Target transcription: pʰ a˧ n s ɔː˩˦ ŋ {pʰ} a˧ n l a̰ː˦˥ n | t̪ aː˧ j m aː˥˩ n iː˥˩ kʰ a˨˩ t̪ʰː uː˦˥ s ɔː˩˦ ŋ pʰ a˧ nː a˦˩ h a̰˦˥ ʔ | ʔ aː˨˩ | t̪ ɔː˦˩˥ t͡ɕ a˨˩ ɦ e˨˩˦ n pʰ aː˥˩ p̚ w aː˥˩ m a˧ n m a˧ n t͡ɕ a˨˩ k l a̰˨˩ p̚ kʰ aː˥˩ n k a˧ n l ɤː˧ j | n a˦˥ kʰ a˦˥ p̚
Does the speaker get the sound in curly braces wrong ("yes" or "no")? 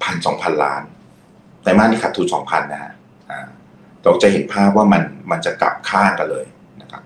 no